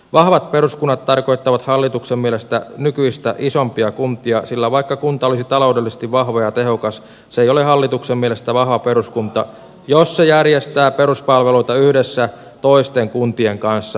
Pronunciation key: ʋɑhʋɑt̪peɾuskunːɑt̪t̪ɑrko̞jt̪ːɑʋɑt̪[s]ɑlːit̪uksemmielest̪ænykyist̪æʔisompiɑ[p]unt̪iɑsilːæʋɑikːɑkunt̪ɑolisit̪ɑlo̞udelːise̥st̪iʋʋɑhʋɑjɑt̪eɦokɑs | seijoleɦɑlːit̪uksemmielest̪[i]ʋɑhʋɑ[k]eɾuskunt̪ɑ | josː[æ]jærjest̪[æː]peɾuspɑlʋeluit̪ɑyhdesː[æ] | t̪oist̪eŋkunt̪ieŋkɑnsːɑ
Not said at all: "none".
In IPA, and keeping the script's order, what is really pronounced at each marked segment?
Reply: h, k, æ, p, e, æː, æ

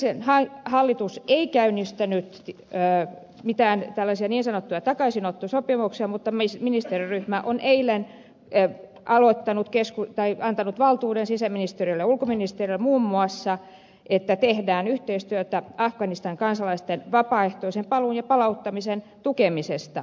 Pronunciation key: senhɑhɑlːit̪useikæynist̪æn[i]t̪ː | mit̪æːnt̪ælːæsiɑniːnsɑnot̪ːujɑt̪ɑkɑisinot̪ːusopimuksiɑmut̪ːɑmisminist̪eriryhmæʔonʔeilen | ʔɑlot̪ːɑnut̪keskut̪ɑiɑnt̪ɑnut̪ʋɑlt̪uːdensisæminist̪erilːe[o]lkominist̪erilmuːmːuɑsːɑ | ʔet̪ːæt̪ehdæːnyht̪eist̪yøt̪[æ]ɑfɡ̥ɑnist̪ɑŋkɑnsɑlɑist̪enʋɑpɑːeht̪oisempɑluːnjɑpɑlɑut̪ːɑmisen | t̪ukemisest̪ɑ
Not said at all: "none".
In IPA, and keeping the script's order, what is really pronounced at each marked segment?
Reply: y, u, æ

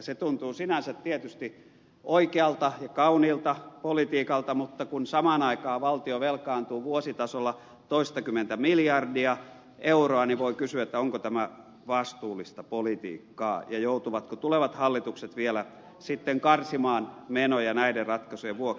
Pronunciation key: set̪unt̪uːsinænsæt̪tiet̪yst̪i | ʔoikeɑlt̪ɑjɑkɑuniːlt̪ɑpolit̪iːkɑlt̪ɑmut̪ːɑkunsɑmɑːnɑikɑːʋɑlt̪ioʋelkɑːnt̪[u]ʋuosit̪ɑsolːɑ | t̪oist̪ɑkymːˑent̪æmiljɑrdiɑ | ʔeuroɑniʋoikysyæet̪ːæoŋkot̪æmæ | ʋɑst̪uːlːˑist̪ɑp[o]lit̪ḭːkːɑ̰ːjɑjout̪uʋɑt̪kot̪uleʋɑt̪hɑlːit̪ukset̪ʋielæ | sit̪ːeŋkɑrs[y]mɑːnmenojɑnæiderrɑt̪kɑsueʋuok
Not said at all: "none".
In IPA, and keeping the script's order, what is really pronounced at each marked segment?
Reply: uː, o, i

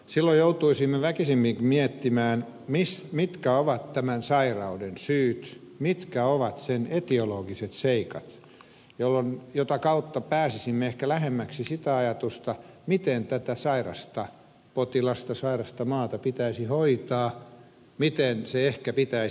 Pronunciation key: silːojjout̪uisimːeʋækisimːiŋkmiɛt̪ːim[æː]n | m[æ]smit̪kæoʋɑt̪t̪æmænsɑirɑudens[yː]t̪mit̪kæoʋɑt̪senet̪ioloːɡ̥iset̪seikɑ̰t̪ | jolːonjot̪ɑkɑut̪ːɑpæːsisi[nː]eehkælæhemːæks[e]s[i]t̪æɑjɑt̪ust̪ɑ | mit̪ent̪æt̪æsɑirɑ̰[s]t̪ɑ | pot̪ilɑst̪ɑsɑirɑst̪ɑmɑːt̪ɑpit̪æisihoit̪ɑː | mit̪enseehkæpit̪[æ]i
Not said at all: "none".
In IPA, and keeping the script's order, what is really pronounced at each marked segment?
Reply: æː, i, yː, mː, i, i, s, æ

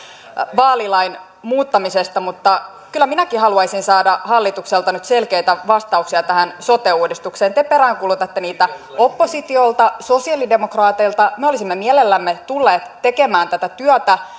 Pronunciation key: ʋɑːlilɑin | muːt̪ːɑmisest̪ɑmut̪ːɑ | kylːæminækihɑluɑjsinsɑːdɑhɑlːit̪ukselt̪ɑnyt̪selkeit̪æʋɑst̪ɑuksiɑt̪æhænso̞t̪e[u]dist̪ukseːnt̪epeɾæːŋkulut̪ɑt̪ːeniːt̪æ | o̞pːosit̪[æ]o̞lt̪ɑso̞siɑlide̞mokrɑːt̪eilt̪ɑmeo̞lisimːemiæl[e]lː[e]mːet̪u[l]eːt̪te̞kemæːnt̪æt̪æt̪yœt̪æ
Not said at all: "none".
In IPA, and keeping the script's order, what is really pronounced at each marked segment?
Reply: uː, i, e, æ, lː

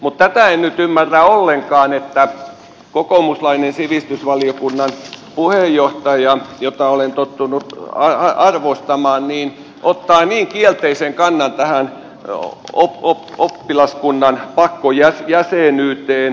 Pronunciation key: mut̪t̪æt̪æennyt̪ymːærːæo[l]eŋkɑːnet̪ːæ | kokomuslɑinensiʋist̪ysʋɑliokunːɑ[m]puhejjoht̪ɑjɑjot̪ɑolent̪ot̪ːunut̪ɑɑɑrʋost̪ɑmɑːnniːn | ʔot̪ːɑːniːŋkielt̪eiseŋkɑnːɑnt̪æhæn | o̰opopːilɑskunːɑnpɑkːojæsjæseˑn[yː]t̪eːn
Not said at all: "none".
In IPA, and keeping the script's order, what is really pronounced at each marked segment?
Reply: lː, n, yː

